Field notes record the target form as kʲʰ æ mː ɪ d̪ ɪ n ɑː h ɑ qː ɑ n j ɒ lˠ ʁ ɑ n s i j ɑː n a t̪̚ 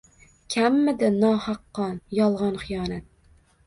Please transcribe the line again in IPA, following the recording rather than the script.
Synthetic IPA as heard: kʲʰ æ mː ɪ d̪ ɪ n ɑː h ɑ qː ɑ n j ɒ lˠ ʁ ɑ n χ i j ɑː n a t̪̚